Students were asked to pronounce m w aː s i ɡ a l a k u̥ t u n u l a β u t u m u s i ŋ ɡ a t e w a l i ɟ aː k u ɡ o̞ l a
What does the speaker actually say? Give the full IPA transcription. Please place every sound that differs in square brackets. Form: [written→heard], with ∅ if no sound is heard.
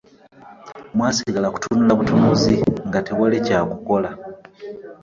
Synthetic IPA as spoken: m w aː s i ɡ a l a k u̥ t u n u l a β u t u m u [s→z] i ŋ ɡ a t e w a l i [ɟ→c] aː k u [ɡ→k] o̞ l a

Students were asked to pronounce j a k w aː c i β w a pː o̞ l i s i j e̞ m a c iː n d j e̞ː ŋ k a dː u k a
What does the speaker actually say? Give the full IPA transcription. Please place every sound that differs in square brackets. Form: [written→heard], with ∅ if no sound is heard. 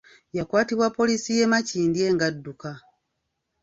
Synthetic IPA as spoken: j a k w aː [c→t] i β w a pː o̞ l i s i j e̞ m a c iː n d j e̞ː ŋ [k→ɡ] a dː u k a

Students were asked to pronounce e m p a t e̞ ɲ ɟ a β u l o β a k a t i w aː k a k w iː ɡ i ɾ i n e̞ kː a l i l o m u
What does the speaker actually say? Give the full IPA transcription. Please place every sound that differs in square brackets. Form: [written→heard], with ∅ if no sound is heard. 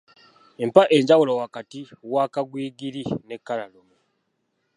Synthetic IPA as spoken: e m p a [t→ʔ] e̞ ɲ ɟ a [β→w] u l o [β→w] a k a t i w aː k a [k→ɡ] w iː ɡ i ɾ i n e̞ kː a l [i→a] l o m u

